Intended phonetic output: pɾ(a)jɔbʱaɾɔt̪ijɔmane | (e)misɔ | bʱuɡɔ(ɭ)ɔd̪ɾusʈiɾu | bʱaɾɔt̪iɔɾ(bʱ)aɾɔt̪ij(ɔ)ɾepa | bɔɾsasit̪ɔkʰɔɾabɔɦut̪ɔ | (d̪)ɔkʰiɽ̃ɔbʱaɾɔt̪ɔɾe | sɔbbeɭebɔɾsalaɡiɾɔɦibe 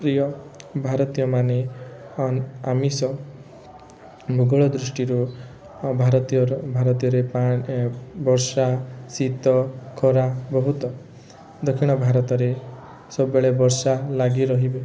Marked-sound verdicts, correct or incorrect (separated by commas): incorrect, incorrect, correct, correct, correct, correct